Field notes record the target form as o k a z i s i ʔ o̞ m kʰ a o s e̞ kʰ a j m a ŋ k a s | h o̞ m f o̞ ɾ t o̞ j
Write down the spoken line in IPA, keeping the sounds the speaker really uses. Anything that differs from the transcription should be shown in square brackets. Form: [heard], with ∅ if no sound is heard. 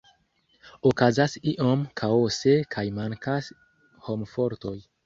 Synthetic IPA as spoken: o k a z [a] s i ʔ o̞ m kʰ a o s e̞ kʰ a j m a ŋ k a s | h o̞ m f o̞ ɾ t o̞ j